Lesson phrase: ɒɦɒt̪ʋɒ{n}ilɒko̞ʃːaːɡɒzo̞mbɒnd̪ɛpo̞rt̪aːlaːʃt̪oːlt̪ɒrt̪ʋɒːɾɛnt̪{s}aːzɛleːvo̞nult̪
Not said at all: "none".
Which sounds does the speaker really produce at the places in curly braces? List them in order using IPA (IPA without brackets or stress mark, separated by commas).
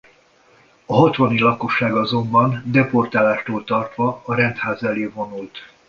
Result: n, h